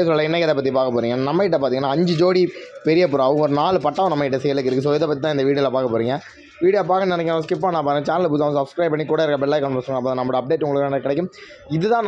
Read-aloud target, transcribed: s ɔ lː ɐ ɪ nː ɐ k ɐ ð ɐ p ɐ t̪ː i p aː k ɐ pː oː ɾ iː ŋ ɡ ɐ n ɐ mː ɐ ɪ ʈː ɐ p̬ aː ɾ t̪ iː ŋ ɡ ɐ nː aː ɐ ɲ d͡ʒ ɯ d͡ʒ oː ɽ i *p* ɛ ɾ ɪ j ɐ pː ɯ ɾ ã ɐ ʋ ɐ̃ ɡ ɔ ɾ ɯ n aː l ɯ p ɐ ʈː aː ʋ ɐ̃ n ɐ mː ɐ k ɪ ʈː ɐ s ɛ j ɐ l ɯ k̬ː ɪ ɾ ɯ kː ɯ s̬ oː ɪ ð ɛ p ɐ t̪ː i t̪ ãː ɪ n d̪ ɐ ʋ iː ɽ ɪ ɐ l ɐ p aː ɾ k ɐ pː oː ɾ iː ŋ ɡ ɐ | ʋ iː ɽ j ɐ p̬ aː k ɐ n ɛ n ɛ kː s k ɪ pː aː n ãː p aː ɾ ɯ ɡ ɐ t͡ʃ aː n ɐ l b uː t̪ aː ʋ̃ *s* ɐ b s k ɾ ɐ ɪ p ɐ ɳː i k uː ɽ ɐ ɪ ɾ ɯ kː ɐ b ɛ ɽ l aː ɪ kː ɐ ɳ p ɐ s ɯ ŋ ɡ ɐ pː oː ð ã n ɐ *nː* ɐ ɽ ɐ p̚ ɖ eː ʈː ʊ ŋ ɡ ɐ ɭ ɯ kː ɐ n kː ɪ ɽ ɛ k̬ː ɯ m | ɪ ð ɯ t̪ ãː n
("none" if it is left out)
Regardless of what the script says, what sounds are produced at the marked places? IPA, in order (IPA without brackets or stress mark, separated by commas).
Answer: p, s, mː